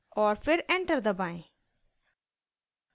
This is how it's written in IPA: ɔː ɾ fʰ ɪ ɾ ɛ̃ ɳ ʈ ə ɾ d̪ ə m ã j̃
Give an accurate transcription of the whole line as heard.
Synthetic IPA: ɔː ɾ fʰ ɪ ɾ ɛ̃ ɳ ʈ ə ɾ d̪ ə b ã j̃